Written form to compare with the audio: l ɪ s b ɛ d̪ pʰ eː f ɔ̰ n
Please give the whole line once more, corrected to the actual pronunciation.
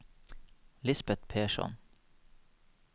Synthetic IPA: l ɪ s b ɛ t̪ pʰ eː ʃ ɔ̰ n